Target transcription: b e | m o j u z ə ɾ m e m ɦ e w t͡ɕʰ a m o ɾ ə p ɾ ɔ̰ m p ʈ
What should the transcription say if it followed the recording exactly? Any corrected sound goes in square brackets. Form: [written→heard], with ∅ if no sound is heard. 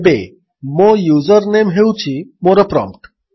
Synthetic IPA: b e | m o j u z ə ɾ [m→n] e m ɦ e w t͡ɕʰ [a→i] m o ɾ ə p ɾ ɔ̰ m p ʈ